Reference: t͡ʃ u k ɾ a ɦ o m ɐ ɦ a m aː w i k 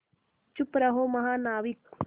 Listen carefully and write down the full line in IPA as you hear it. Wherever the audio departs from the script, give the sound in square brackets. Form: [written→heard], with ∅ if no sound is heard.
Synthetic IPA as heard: t͡ʃ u [k→p] ɾ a ɦ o m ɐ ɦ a [m→n] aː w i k